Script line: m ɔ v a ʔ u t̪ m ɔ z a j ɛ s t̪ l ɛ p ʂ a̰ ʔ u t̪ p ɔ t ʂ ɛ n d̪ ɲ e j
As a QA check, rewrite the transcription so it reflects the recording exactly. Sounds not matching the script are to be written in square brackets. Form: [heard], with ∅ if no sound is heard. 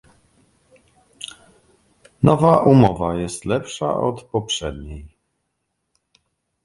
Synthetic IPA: [n] ɔ v a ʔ u [∅] m ɔ [v] a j ɛ s t̪ l ɛ p ʂ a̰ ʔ [ɔ] t̪ p ɔ [p] ʂ ɛ [∅] d̪ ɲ e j